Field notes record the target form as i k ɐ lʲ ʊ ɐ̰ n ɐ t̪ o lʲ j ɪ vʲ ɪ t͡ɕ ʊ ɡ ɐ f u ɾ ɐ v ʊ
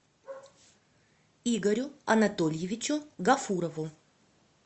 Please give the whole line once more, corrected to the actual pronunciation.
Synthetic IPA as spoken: i ɡ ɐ ɾʲ ʊ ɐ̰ n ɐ t̪ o lʲ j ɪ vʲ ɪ t͡ɕ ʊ ɡ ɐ f u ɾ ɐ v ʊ